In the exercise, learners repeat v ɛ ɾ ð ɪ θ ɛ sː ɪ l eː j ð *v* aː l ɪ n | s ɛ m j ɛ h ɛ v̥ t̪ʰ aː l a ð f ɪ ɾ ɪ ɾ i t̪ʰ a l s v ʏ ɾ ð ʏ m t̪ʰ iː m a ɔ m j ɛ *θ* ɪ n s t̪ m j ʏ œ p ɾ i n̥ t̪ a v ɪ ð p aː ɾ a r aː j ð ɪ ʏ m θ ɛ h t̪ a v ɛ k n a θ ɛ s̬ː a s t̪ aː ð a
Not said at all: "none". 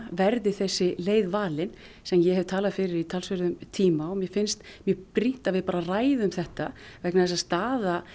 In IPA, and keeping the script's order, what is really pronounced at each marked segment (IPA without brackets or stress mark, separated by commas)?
v, f